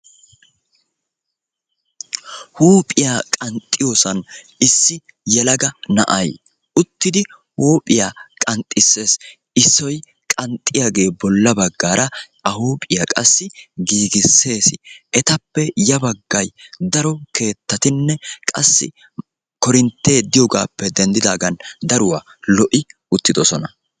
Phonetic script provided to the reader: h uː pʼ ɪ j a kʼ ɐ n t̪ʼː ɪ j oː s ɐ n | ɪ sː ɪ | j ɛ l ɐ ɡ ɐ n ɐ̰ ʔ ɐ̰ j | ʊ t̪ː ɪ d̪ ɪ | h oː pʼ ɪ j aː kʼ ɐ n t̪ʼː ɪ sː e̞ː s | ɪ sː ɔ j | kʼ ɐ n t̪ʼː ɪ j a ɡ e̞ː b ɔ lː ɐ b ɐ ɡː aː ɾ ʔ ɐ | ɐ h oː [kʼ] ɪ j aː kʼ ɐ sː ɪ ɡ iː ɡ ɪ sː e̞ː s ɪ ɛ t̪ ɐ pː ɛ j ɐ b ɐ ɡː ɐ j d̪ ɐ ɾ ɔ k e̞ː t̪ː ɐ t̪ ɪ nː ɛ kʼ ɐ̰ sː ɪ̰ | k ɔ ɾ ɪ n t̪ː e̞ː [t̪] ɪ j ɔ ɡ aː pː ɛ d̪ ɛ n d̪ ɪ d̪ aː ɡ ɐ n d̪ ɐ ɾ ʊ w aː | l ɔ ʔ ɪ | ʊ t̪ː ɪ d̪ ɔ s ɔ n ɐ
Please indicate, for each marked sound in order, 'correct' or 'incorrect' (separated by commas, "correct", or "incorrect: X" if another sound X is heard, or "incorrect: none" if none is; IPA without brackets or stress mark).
incorrect: pʼ, incorrect: d̪